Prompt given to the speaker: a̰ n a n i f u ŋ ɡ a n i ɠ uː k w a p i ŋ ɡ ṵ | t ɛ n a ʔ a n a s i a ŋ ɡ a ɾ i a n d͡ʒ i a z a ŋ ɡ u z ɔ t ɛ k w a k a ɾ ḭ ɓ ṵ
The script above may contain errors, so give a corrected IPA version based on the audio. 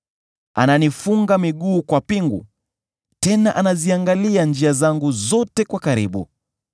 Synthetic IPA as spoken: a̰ n a n i f u ŋ ɡ a m i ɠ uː k w a p i ŋ ɡ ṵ | t ɛ n a ʔ a n a z i a ŋ ɡ a l i a n d͡ʒ i a z a ŋ ɡ u z ɔ t ɛ k w a k a ɾ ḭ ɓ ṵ

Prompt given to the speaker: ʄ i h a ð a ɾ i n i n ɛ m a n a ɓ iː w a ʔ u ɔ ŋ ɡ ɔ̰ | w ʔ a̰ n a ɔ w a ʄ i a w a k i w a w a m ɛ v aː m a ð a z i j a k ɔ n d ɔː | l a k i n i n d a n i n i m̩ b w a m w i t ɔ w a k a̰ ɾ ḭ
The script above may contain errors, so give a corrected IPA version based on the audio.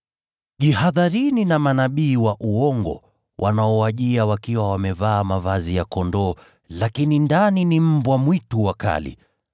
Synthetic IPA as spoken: ʄ i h a ð a ɾ i n i n a m a n a ɓ iː w a ʔ u ɔ ŋ ɡ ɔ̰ | w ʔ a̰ n a ɔ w a ʄ i a w a k i w a w a m ɛ v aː m a v a z i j a k ɔ n d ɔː | l a k i n i n d a n i n i m̩ b w a m w i t u w a k a̰ l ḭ

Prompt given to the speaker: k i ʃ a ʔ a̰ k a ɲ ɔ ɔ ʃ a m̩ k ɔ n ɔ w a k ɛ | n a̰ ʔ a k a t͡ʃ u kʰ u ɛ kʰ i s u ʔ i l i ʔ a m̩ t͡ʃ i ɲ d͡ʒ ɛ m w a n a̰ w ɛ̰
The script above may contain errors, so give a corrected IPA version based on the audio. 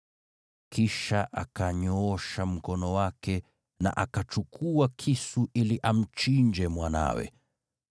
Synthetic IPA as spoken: k i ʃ a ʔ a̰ k a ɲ ɔ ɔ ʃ a m̩ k ɔ n ɔ w a k ɛ | n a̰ ʔ a k a t͡ʃ u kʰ u a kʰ i s u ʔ i l i ʔ a m̩ t͡ʃ i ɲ d͡ʒ ɛ m w a n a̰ w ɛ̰

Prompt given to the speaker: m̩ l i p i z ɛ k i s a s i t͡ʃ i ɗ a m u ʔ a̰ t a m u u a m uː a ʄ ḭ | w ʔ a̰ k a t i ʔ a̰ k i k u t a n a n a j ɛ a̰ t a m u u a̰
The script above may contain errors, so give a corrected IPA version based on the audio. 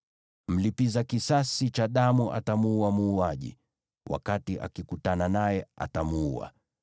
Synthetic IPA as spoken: m̩ l i p i z a k i s a s i t͡ʃ a ɗ a m u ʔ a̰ t a m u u a m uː a ʄ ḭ | w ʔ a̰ k a t i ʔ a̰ k i k u t a n a n a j ɛ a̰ t a m u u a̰

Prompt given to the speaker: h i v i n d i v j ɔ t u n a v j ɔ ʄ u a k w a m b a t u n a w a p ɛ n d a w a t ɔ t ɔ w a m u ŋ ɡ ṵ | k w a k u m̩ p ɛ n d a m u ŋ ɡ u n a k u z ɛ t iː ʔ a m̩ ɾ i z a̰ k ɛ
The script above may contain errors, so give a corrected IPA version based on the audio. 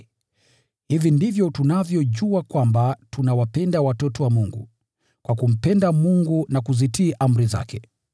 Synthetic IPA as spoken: h i v i n d i v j ɔ t u n a v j ɔ ʄ u a k w a m b a t u n a w a p ɛ n d a w a t ɔ t ɔ w a m u ŋ ɡ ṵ | k w a k u m̩ p ɛ n d a m u ŋ ɡ u n a k u z i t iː ʔ a m̩ ɾ i z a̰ k ɛ

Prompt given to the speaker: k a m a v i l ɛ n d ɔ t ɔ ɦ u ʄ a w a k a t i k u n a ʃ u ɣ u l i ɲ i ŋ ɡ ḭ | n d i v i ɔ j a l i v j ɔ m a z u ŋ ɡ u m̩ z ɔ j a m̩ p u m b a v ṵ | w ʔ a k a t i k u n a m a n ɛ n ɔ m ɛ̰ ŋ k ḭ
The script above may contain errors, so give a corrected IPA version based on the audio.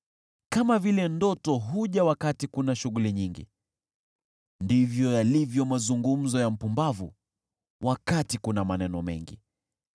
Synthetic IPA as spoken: k a m a v i l ɛ n d ɔ t ɔ ɦ u ʄ a w a k a t i k u n a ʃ u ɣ u l i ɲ i ŋ ɡ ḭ | n d i v j ɔ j a l i v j ɔ m a z u ŋ ɡ u m̩ z ɔ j a m̩ p u m b a v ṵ | w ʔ a k a t i k u n a m a n ɛ n ɔ m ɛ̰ ŋ ɡ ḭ

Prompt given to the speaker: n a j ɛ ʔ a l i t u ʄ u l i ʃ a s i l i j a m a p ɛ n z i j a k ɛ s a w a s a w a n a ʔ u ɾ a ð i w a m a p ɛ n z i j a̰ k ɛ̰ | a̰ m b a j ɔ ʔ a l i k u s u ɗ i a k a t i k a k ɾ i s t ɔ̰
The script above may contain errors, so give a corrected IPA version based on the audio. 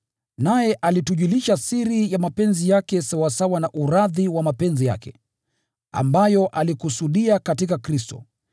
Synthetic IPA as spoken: n a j ɛ ʔ a l i t u ʄ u l i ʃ a s i ɾ i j a m a p ɛ n z i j a k ɛ s a w a s a w a n a ʔ u ɾ a ð i w a m a p ɛ n z i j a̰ k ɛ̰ | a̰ m b a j ɔ ʔ a l i k u s u ɗ i a k a t i k a k ɾ i s t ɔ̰

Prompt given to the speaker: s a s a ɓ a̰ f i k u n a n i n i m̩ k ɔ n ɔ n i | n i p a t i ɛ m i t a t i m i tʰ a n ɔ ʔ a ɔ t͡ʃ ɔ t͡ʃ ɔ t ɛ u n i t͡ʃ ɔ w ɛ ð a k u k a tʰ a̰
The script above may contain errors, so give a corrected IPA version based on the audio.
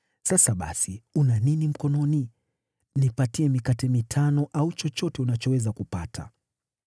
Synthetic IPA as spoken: s a s a ɓ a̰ s i u n a n i n i m̩ k ɔ n ɔ n i | n i p a t i ɛ m i k a t ɛ m i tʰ a n ɔ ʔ a u t͡ʃ ɔ t͡ʃ ɔ t ɛ u n a t͡ʃ ɔ w ɛ z a k u p a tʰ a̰

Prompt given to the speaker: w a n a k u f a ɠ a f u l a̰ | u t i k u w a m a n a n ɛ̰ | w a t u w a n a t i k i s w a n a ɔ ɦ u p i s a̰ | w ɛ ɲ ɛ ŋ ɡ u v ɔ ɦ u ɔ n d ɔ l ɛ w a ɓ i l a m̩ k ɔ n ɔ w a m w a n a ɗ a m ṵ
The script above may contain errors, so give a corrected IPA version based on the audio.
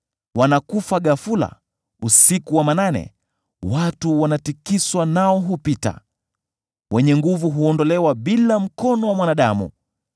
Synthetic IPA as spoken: w a n a k u f a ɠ a f u l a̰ | u s i k u w a m a n a n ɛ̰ | w a t u w a n a t i k i s w a n a ɔ ɦ u p i t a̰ | w ɛ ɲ ɛ ŋ ɡ u v u ɦ u ɔ n d ɔ l ɛ w a ɓ i l a m̩ k ɔ n ɔ w a m w a n a ɗ a m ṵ

